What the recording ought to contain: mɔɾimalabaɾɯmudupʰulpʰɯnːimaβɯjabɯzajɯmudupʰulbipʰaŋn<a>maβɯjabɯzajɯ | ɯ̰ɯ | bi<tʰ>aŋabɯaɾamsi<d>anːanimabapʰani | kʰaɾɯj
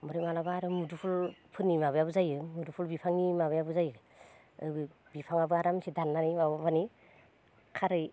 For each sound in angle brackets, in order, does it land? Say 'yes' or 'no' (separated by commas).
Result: no, no, yes